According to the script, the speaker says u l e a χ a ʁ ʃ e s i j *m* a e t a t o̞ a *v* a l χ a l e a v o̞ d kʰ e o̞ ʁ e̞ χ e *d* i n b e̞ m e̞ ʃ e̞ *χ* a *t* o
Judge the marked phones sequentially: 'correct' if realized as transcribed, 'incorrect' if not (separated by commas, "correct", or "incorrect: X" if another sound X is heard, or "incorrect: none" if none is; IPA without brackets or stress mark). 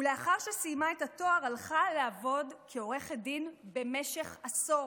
correct, incorrect: ʁ, correct, correct, incorrect: s